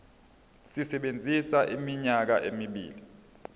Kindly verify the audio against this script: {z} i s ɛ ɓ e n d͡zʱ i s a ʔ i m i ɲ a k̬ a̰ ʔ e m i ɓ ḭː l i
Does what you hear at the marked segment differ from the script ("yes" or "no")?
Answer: yes